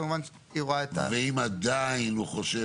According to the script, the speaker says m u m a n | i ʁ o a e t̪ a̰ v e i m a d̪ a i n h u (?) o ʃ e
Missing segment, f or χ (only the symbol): χ